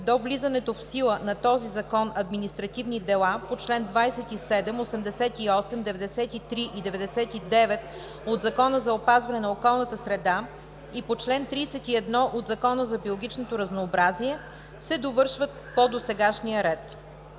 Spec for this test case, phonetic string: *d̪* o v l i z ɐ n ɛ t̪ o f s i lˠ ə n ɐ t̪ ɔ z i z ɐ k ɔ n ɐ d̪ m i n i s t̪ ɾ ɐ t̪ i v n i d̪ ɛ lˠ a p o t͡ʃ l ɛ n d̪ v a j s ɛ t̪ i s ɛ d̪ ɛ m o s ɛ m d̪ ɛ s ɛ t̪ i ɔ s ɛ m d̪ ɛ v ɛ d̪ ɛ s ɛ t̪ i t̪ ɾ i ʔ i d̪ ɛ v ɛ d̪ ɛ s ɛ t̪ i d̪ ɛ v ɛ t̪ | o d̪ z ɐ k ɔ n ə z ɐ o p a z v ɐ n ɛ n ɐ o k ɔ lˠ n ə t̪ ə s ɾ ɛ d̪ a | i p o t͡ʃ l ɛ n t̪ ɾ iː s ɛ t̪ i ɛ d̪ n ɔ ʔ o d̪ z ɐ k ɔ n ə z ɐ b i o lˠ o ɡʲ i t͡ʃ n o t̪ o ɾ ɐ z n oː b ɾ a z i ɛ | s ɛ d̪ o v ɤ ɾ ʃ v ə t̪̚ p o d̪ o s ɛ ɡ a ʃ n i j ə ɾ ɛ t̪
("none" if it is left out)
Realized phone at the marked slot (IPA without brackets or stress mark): d̪